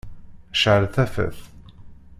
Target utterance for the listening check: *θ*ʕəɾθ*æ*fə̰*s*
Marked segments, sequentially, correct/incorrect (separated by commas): incorrect, correct, incorrect